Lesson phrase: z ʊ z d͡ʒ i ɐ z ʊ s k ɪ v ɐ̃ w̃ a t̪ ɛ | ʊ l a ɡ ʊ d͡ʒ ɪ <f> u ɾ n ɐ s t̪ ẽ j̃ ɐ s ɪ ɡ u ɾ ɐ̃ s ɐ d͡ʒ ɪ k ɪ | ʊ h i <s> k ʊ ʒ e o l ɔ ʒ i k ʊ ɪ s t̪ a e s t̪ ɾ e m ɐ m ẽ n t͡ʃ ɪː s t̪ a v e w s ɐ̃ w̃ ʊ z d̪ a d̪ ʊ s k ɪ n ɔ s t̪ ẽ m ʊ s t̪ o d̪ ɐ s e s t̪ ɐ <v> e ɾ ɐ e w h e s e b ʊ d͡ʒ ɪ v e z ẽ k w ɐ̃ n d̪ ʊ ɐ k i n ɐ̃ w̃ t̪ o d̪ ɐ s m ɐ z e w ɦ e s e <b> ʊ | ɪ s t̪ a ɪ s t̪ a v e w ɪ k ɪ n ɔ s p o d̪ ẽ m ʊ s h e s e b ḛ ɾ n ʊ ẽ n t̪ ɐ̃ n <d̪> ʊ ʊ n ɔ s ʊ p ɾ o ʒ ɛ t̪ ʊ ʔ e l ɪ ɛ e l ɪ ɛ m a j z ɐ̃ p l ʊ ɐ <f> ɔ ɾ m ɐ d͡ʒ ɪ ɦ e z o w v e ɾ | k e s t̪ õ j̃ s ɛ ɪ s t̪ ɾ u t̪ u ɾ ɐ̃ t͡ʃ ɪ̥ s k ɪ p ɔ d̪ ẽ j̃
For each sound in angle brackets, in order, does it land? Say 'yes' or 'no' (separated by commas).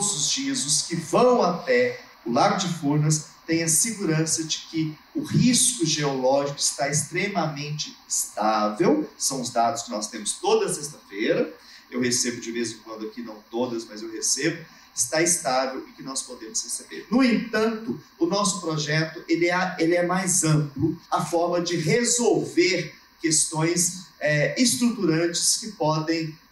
yes, yes, no, yes, no, yes